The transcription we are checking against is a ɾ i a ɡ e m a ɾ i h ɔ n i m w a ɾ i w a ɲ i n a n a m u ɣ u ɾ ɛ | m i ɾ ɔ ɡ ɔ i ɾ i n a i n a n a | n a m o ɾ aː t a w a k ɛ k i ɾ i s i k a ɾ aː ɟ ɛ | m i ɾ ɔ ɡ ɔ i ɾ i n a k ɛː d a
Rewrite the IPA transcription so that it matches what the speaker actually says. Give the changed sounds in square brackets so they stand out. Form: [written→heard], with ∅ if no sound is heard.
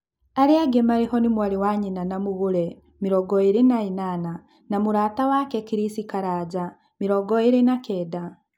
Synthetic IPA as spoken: a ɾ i a ɡ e m a ɾ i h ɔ n i m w a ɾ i w a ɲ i n a n a m u ɣ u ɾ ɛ | m i ɾ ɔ ɡ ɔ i ɾ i n a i n a n a | n a m [o→u] ɾ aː t a w a k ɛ k i ɾ i s i k a ɾ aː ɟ [ɛ→a] | m i ɾ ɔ ɡ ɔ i ɾ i n a k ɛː d a

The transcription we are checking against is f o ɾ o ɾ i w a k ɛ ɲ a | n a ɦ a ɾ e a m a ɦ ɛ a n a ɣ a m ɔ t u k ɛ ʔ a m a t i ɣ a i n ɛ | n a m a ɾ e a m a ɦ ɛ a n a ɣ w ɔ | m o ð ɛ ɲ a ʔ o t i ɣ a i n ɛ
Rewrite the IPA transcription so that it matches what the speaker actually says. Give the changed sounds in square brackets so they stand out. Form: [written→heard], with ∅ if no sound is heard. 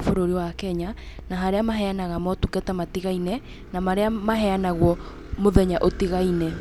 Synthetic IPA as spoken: f o ɾ o ɾ i w a k ɛ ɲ a | n a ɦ a ɾ e a m a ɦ ɛ a n a ɣ a m ɔ t u k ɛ [ʔ→t] a m a t i ɣ a i n ɛ | n a m a ɾ e a m a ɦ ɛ a n a ɣ w ɔ | m o ð ɛ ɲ a ʔ o t i ɣ a i n ɛ

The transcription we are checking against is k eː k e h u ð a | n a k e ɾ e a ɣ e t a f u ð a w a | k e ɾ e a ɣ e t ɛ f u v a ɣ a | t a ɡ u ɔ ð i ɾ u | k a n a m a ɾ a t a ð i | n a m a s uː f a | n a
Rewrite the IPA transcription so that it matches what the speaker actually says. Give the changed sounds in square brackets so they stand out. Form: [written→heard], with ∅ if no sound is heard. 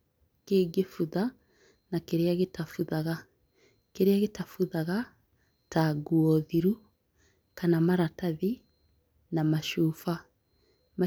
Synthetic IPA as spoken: k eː [k→ɡ] e [h→f] u ð a | n a k e ɾ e a ɣ e t a f u ð a [w→ɣ] a | k e ɾ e a ɣ e t [ɛ→a] f u [v→ð] a ɣ a | t a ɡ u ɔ ð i ɾ u | k a n a m a ɾ a t a ð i | n a m a [s→ʃ] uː f a | [n→m] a

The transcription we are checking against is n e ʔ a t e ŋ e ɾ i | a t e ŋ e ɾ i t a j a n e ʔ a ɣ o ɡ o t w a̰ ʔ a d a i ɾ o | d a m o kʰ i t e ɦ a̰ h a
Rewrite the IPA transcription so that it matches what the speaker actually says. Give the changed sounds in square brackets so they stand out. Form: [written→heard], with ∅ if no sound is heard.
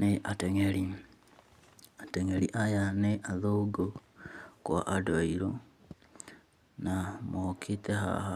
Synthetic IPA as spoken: n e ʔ a t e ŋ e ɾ i | a t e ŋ e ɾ i [t→ʔ] a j a n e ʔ a [ɣ→ð] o ɡ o [t→k] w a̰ ʔ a d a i ɾ o | [d→n] a m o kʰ i t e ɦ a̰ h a

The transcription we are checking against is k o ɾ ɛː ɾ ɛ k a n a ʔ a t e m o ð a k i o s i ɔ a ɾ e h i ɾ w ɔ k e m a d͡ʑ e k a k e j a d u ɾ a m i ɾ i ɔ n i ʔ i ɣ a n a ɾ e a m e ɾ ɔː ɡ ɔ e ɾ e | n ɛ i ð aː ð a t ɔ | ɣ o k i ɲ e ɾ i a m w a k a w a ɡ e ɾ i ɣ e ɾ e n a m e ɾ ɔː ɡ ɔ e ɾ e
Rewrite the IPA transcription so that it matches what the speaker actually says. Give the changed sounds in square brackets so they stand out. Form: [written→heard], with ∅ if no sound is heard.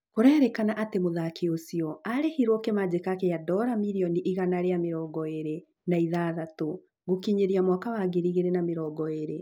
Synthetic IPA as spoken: k o ɾ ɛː ɾ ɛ k a n a ʔ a t e m o ð a k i o s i ɔ a ɾ e h i ɾ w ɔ k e m a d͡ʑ e k a k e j a d [u→ɔ] ɾ a m i ɾ i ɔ n i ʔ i ɣ a n a ɾ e a m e ɾ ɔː ɡ ɔ e ɾ e | n [ɛ→a] i ð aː ð a t [ɔ→o] | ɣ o k i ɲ e ɾ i a m w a k a w a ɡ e ɾ i ɣ e ɾ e n a m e ɾ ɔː ɡ ɔ e ɾ e

